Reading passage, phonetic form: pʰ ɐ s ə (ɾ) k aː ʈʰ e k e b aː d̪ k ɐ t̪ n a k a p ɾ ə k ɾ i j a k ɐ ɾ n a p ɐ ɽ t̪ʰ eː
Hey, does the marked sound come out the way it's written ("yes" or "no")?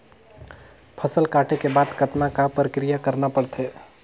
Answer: no